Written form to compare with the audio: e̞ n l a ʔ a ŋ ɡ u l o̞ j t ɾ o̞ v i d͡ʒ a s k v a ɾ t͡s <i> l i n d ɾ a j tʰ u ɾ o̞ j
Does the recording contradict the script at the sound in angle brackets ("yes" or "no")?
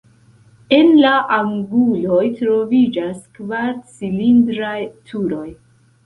no